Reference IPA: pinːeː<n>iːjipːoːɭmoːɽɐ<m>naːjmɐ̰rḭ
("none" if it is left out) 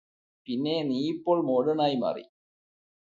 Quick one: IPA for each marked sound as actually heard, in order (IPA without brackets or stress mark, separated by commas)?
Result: n, none